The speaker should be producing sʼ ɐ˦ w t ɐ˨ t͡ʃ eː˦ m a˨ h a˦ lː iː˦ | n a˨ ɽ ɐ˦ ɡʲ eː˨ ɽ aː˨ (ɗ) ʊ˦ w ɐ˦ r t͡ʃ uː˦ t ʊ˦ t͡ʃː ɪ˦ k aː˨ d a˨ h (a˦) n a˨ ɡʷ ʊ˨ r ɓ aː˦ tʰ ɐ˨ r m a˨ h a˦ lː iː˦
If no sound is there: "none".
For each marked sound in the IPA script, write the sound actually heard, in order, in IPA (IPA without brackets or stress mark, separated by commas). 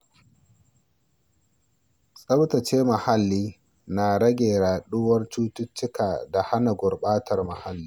ɗ, a˦